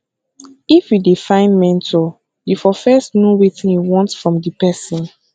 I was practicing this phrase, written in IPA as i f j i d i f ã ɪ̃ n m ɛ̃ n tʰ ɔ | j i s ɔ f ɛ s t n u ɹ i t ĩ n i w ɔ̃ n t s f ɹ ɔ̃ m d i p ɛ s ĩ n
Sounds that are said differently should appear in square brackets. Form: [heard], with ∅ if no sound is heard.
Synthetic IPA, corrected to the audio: i f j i d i f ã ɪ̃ n m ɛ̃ n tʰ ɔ | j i [f] ɔ f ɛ s t n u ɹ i t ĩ n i w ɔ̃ n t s f ɹ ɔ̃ m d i p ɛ s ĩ n